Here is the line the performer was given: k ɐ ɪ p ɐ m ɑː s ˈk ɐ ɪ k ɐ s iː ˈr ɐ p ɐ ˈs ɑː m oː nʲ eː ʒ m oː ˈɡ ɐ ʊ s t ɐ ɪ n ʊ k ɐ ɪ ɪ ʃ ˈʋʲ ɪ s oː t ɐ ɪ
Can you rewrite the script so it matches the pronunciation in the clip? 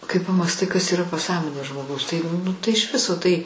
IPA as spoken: k ɐ ɪ p ɐ m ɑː s ˈt ɐ ɪ k ɐ s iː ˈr ɐ p ɐ ˈs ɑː m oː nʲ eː ʒ m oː ˈɡ ɐ ʊ s t ɐ ɪ n ʊ t ɐ ɪ ɪ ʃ ˈʋʲ ɪ s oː t ɐ ɪ